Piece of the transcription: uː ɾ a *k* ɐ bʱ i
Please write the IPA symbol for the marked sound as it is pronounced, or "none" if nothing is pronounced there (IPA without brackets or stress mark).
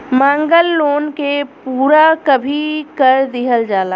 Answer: k